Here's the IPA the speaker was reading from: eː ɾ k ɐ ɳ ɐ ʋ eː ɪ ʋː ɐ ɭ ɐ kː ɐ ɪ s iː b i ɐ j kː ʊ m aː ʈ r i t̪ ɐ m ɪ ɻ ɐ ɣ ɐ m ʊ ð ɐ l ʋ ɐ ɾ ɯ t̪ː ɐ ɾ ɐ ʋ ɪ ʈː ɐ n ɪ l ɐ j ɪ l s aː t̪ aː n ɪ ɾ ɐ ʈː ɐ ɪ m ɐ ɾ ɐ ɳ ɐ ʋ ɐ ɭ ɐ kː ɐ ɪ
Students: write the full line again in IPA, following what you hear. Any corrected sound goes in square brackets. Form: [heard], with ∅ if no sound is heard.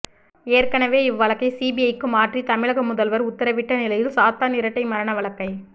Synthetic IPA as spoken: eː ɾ k ɐ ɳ ɐ ʋ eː ɪ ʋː ɐ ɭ ɐ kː ɐ ɪ s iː b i ɐ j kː [ɯ] m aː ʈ r i t̪ ɐ m ɪ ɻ ɐ ɣ ɐ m ʊ ð ɐ l ʋ ɐ ɾ [ʊ] t̪ː ɐ ɾ ɐ ʋ ɪ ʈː ɐ n ɪ l ɐ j ɪ l s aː t̪ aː n ɪ ɾ ɐ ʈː ɐ ɪ m ɐ ɾ ɐ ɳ ɐ ʋ ɐ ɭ ɐ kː ɐ ɪ

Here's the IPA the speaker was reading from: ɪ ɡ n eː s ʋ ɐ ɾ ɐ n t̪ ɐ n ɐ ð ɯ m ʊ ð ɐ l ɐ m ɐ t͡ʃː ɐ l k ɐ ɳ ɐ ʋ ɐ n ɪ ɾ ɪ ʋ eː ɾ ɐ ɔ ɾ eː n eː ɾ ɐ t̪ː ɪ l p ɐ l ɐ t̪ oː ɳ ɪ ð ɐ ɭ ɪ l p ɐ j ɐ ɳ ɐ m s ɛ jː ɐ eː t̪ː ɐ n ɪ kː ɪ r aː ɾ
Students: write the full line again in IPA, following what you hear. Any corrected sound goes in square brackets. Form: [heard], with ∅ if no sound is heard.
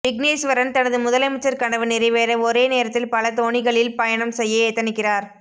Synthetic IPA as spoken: ɪ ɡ n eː s ʋ ɐ ɾ ɐ n t̪ ɐ n ɐ ð ɯ m ʊ ð ɐ l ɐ m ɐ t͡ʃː ɐ [ɾ] k ɐ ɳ ɐ ʋ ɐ n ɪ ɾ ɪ ʋ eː ɾ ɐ ɔ ɾ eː n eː ɾ ɐ t̪ː ɪ l p ɐ l ɐ t̪ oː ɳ ɪ [ɣ] ɐ ɭ ɪ l p ɐ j ɐ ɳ ɐ m s ɛ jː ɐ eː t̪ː ɐ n ɪ kː ɪ r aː ɾ

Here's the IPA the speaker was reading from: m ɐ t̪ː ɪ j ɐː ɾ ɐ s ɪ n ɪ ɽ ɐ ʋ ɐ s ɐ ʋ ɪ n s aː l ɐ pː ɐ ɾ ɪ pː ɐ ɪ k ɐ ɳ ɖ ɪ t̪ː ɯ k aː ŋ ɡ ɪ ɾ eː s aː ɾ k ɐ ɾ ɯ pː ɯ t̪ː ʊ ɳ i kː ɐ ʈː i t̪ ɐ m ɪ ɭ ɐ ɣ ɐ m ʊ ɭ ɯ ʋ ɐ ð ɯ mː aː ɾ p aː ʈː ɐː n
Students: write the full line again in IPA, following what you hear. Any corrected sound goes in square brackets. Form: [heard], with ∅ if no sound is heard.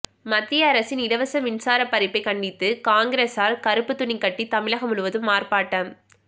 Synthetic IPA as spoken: m ɐ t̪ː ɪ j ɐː ɾ ɐ s ɪ n ɪ ɽ ɐ ʋ ɐ s ɐ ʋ ɪ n s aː [ɾ] ɐ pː ɐ ɾ ɪ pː ɐ ɪ k ɐ ɳ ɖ ɪ t̪ː ɯ k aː ŋ ɡ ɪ ɾ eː s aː ɾ k ɐ ɾ ɯ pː ɯ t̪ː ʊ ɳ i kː ɐ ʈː i t̪ ɐ m ɪ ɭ ɐ ɣ ɐ m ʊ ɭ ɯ ʋ ɐ ð ɯ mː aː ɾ p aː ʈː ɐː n

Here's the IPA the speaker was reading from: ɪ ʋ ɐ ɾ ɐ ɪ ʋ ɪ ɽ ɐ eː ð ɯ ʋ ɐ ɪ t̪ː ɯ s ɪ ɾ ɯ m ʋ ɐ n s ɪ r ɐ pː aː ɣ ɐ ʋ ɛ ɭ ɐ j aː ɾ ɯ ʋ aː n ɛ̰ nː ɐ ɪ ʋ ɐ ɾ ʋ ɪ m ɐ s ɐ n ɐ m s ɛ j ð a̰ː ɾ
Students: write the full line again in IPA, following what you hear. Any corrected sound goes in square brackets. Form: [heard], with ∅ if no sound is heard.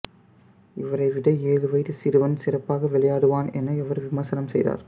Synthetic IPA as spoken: ɪ ʋ ɐ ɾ ɐ ɪ ʋ ɪ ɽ ɐ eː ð ɯ ʋ ɐ ɪ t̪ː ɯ s ɪ ɾ ɯ [∅] ʋ ɐ n s ɪ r ɐ pː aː ɣ ɐ ʋ ɛ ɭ ɐ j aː [ɽ] ɯ ʋ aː n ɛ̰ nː ɐ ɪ ʋ ɐ ɾ ʋ ɪ m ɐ s ɐ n ɐ m s ɛ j ð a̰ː ɾ

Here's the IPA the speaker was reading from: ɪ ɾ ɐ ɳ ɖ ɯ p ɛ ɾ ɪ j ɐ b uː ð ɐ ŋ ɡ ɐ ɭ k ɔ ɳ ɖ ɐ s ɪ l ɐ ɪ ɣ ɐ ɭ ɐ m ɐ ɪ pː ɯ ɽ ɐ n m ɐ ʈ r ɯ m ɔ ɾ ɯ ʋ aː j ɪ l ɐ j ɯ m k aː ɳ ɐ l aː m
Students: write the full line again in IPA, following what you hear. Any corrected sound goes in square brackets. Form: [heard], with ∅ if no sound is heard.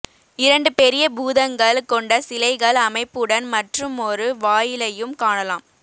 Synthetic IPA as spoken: ɪ ɾ ɐ ɳ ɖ ɯ p ɛ ɾ ɪ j ɐ b uː ð ɐ ŋ ɡ ɐ ɭ k ɔ ɳ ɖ ɐ s ɪ l ɐ ɪ ɣ ɐ ɭ ɐ m ɐ ɪ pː ɯ ɽ ɐ n m ɐ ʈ r ɯ m ɔ ɾ ɯ ʋ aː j ɪ l ɐ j ɯ m k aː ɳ ɐ l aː m

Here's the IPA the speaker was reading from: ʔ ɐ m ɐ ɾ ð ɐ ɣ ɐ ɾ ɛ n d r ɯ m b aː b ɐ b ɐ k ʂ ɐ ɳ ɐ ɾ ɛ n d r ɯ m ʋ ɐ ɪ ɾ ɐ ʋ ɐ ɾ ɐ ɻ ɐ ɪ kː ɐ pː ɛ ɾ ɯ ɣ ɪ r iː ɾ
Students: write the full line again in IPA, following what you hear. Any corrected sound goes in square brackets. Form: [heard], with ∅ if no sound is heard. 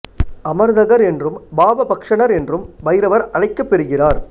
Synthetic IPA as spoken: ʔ ɐ m ɐ ɾ ð ɐ ɣ ɐ ɾ ɛ n d r ɯ m b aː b ɐ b ɐ k ʂ ɐ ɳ ɐ ɾ ɛ n d r ɯ m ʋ ɐ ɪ ɾ ɐ ʋ ɐ ɾ ɐ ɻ ɐ ɪ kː ɐ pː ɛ ɾ ɯ ɣ ɪ r [aː] ɾ

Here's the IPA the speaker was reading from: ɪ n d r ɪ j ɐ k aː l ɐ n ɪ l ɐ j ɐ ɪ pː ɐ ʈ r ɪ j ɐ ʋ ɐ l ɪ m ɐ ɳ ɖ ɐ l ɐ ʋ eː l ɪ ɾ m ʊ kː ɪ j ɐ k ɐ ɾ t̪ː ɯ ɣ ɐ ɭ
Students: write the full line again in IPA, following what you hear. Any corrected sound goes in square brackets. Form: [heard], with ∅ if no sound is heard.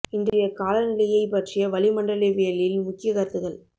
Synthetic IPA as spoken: ɪ n d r ɪ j ɐ k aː l ɐ n ɪ l ɐ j ɐ ɪ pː ɐ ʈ r ɪ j ɐ ʋ ɐ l ɪ m ɐ ɳ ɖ ɐ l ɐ ʋ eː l ɪ [l] m ʊ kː ɪ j ɐ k ɐ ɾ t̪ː ɯ ɣ ɐ ɭ

